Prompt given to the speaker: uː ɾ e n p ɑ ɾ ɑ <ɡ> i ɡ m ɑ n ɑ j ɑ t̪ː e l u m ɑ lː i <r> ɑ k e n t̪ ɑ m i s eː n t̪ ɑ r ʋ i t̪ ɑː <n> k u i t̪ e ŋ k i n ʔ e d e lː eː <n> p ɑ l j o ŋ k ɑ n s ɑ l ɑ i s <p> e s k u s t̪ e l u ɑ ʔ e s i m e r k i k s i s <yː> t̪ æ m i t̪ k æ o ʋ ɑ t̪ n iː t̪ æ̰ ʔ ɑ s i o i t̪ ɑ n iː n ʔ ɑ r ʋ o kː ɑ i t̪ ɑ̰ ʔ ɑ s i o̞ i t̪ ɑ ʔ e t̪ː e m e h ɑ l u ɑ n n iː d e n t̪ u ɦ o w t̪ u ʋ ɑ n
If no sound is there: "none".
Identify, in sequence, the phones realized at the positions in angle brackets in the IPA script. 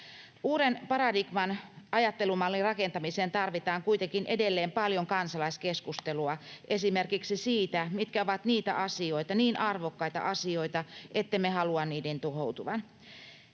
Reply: d, r, ŋ, m, k, iː

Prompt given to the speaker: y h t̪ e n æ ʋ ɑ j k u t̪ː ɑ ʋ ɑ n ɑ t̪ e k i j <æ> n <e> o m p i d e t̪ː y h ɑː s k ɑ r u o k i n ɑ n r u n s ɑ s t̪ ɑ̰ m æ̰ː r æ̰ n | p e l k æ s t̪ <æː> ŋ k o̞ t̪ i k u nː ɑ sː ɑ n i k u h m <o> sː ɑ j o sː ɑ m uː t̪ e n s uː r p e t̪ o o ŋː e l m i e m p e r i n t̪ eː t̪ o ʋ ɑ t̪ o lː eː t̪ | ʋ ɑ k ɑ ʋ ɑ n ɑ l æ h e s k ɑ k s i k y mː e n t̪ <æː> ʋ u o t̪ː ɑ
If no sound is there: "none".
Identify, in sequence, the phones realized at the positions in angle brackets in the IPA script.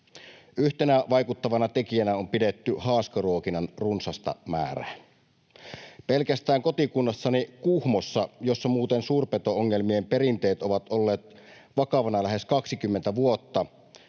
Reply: æ, æ, æː, o, æ

